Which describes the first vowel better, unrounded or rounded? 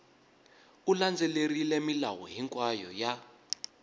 rounded